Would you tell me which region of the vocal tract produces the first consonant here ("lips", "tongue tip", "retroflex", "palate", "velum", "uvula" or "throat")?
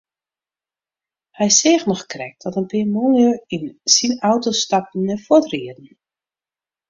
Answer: throat